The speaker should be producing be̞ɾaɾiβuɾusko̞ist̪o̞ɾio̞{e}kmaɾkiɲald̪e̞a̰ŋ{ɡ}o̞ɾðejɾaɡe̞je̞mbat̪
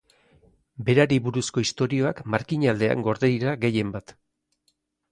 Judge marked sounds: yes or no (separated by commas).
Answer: no, yes